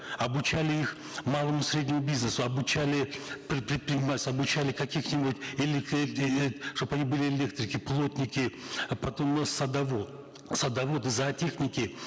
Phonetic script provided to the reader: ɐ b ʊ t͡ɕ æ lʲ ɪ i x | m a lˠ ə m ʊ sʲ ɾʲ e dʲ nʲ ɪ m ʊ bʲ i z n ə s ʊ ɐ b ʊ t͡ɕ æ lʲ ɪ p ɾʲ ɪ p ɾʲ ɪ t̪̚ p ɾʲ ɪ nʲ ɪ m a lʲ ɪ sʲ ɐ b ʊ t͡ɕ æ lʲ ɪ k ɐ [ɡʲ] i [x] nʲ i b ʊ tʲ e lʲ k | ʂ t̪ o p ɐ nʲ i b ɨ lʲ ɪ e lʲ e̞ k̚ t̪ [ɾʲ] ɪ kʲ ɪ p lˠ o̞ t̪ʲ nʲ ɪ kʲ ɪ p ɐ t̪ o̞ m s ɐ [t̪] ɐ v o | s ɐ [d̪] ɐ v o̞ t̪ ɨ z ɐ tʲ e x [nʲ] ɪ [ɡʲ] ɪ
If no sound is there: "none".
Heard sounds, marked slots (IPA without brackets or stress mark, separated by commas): kʲ, x, ɾʲ, d̪, d̪, nʲ, kʲ